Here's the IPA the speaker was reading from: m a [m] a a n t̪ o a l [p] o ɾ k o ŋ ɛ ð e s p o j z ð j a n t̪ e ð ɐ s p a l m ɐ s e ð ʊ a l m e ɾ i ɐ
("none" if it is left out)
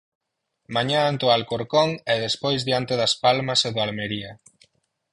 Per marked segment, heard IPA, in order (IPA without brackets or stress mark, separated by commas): ɲ, k